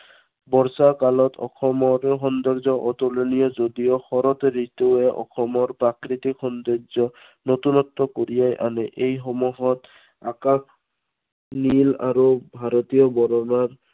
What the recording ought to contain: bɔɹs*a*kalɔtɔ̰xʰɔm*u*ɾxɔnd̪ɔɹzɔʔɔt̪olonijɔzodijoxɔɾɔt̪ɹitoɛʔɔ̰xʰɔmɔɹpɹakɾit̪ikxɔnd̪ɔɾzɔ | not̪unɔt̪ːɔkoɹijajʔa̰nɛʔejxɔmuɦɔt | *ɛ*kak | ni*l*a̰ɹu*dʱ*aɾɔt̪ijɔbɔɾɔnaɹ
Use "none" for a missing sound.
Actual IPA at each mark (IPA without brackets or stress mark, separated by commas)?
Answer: a, ɔ, a, l, bʱ